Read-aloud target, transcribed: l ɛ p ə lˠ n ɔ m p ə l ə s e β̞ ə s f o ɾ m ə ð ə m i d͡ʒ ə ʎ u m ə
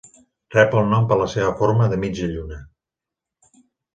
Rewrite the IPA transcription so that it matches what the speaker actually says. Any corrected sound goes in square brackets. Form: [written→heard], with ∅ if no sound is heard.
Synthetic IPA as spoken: [l→r] ɛ p ə lˠ n ɔ m p ə l ə s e β̞ ə [s→∅] f o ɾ m ə ð ə m i d͡ʒ ə ʎ u [m→n] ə